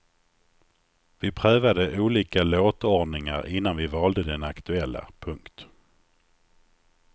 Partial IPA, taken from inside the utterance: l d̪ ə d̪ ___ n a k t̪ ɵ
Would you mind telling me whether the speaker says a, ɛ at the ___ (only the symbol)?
ɛ